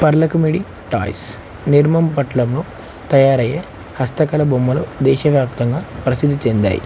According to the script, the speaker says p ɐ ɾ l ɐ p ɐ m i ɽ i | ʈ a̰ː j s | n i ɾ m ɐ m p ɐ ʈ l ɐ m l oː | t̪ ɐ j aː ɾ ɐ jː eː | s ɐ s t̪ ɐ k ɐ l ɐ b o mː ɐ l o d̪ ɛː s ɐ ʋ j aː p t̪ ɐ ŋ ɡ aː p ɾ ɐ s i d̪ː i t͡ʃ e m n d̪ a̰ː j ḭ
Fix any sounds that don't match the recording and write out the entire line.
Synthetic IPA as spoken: p ɐ ɾ l ɐ k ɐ m i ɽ i | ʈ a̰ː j s | n i ɾ m ɐ m p ɐ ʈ l ɐ m l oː | t̪ ɐ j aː ɾ ɐ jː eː | h ɐ s t̪ ɐ k ɐ l ɐ b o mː ɐ l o d̪ ɛː ʃ ɐ ʋ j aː p t̪ ɐ ŋ ɡ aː p ɾ ɐ s i d̪ː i t͡ʃ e n d̪ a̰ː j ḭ